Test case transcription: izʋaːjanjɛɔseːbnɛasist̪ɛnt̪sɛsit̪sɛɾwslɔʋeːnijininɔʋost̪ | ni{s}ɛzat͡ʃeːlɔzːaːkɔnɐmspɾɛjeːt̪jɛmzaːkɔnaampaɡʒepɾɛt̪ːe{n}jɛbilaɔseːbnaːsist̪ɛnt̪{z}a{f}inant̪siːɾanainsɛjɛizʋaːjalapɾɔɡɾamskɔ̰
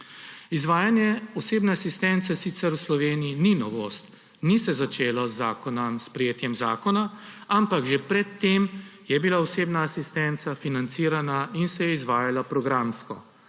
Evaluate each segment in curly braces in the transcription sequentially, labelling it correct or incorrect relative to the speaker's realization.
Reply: correct, incorrect: m, incorrect: s, correct

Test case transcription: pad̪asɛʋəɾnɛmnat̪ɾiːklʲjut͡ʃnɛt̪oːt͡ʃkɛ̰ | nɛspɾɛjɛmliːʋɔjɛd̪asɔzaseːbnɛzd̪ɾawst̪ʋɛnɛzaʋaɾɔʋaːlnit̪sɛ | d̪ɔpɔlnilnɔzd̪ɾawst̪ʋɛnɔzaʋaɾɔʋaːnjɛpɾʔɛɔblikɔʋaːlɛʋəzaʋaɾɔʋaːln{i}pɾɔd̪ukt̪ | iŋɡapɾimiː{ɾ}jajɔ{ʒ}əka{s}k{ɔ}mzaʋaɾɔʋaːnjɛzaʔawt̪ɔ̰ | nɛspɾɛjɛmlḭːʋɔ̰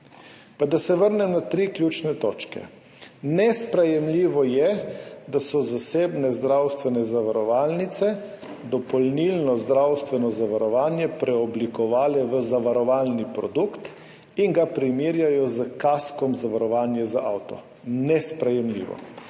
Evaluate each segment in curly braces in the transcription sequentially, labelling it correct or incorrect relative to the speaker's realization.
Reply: correct, correct, incorrect: z, correct, correct

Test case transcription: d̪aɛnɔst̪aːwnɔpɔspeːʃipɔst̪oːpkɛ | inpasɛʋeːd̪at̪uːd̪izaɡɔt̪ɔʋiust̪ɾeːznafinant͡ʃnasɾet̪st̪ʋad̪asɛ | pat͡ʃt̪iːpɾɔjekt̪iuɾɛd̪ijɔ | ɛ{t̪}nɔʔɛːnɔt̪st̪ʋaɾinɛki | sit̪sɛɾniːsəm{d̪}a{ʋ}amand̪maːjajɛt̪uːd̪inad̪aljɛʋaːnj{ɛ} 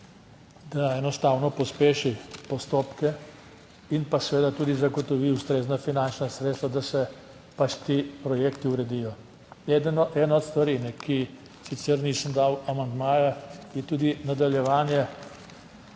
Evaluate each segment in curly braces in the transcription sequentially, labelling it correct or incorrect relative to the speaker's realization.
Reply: incorrect: d̪, correct, incorrect: w, correct

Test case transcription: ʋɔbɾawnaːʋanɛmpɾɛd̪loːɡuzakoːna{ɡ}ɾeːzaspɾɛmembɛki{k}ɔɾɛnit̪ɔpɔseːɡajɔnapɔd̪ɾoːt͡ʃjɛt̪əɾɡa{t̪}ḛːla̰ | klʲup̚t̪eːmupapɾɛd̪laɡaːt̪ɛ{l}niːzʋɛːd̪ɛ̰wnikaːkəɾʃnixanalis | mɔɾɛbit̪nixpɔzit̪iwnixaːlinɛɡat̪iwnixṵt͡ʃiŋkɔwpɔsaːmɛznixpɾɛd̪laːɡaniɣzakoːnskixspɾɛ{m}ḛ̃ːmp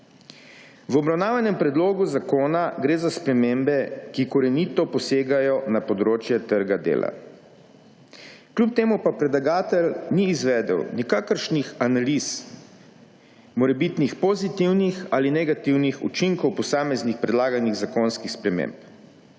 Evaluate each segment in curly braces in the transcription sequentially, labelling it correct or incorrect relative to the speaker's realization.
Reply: correct, correct, incorrect: d̪, correct, correct

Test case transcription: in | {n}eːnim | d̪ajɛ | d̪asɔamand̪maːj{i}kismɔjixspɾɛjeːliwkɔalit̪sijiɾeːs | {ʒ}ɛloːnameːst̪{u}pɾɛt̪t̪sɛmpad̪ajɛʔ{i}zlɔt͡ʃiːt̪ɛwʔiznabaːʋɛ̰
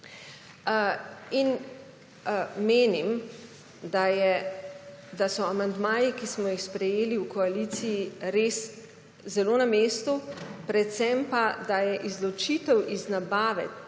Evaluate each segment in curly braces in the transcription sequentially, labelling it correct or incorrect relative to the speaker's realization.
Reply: incorrect: m, correct, incorrect: z, correct, correct

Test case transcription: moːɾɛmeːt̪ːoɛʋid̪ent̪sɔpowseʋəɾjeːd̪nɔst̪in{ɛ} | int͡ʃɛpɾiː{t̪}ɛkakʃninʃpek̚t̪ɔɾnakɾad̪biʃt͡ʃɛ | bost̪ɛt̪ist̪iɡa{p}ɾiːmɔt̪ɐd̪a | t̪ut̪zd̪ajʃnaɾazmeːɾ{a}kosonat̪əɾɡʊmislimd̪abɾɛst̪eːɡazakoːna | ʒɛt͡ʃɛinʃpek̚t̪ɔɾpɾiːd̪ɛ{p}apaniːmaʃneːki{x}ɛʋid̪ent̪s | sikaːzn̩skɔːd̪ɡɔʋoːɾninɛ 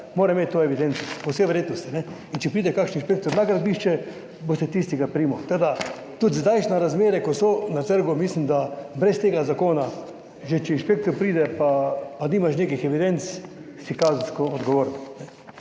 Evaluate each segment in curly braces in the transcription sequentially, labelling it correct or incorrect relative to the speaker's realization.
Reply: correct, incorrect: d̪, correct, incorrect: ɛ, correct, correct

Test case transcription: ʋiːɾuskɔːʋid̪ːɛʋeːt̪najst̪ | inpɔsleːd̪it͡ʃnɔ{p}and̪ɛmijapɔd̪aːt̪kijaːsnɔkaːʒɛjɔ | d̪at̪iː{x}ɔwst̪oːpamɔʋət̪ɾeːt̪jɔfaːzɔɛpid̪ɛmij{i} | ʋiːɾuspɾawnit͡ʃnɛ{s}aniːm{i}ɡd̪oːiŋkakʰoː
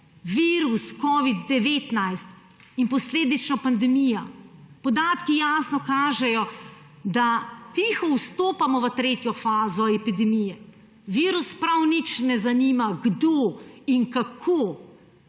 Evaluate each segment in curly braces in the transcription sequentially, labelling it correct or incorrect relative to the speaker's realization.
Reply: correct, correct, incorrect: ɛ, incorrect: z, incorrect: a

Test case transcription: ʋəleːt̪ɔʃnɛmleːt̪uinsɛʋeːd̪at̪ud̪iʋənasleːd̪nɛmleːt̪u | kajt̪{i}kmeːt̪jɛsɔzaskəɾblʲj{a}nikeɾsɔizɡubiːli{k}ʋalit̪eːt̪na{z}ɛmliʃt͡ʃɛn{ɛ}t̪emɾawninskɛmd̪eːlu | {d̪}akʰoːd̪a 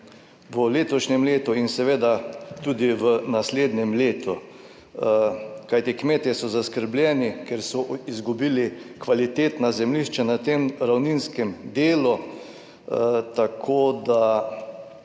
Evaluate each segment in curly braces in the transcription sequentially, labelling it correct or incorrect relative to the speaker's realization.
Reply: correct, incorrect: ɛ, correct, correct, incorrect: a, incorrect: t̪

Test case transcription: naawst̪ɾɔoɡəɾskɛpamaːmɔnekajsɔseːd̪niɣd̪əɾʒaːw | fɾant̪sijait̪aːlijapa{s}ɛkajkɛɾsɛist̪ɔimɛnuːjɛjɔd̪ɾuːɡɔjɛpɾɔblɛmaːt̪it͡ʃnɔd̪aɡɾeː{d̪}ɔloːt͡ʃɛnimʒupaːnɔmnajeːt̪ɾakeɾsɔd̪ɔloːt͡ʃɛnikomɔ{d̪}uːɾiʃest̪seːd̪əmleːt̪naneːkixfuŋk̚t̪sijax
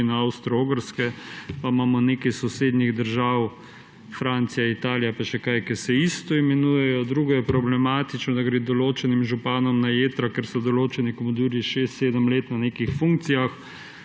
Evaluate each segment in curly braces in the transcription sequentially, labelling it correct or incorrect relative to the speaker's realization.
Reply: incorrect: ʃ, correct, correct

